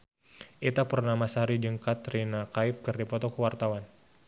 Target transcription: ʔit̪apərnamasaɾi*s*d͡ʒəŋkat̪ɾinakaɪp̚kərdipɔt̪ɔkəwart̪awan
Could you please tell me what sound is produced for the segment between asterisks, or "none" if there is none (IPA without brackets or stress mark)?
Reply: none